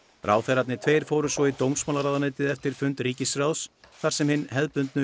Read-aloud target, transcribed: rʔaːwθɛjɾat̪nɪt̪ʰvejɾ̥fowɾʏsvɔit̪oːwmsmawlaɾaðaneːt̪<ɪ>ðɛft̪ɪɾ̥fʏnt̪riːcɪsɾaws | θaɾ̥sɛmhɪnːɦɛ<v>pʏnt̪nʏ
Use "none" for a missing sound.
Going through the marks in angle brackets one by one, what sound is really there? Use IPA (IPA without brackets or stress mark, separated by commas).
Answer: ɪ, ð